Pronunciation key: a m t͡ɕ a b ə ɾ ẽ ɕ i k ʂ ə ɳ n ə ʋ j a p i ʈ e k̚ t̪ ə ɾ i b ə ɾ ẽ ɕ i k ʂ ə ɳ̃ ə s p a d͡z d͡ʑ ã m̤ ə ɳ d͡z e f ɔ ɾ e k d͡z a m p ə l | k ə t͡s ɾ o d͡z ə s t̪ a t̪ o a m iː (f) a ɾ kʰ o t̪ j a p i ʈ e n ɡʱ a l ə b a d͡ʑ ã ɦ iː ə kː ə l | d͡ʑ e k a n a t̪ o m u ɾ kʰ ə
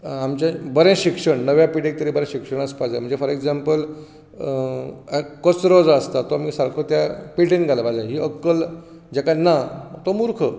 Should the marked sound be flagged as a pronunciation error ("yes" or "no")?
yes